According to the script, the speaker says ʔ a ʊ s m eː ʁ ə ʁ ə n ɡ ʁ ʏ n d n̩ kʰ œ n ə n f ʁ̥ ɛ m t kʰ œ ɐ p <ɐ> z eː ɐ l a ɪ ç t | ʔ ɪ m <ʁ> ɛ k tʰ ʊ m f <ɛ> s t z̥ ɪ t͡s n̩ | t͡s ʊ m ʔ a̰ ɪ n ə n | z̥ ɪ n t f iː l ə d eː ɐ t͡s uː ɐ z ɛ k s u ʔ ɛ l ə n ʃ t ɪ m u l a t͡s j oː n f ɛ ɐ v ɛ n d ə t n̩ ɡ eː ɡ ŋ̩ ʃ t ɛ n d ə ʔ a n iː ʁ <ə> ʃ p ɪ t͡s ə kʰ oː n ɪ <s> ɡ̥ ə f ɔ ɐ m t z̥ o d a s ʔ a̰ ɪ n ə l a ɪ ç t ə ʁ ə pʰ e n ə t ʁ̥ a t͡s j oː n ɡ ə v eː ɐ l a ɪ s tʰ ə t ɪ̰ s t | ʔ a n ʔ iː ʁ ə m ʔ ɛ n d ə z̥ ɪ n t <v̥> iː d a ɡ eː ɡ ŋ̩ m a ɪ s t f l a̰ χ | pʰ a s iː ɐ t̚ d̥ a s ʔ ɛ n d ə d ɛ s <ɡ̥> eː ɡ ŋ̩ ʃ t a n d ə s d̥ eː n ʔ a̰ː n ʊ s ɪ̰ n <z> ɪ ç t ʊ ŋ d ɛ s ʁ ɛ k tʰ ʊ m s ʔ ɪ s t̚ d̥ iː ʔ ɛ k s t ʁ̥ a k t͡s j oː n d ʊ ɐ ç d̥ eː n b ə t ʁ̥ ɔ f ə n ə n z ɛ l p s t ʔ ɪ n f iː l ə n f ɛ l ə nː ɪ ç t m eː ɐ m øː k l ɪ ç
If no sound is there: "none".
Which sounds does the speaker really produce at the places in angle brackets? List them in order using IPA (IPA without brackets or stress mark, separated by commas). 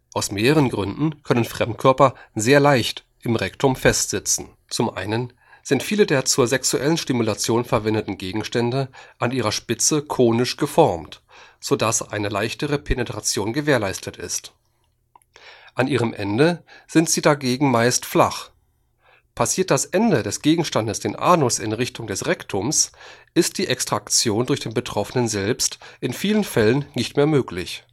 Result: ɐ, ʁ, ɛ, ɐ, ʃ, z̥, ɡ̥, ʁ